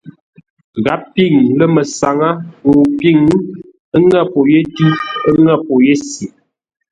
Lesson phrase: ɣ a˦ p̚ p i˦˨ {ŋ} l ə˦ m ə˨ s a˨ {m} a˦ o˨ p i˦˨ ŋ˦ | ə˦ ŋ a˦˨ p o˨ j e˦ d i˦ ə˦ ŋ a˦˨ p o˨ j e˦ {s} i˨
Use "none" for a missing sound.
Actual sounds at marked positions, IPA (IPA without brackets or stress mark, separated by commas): ŋ, ŋ, s